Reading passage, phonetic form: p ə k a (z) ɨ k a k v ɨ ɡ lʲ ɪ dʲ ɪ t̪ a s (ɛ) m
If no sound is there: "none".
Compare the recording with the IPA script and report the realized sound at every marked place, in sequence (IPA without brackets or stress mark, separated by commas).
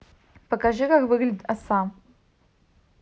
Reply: ʐ, a